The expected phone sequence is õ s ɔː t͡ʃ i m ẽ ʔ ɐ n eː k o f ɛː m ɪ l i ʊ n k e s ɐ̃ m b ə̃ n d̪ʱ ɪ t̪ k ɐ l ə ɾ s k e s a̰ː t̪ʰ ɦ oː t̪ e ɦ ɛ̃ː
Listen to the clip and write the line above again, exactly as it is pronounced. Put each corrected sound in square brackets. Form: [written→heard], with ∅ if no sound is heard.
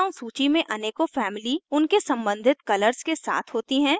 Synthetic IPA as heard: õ s [ɔː→uː] t͡ʃ i m ẽ ʔ ɐ n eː k o f ɛː m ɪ l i ʊ n k e s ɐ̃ m b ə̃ n d̪ʱ ɪ t̪ k ɐ l ə ɾ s k e s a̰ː t̪ʰ ɦ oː t̪ [e→i] ɦ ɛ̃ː